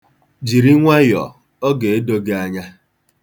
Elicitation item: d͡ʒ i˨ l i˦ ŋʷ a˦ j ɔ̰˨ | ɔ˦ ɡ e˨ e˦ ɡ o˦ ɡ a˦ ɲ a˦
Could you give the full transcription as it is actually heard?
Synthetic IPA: d͡ʒ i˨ ɾ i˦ ŋʷ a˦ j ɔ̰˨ | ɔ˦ ɡ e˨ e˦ d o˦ ɡ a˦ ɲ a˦